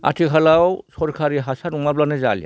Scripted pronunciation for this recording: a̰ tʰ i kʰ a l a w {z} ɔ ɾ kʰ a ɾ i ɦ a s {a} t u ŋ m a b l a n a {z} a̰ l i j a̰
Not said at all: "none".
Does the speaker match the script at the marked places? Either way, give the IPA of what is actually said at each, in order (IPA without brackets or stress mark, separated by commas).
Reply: s, a, z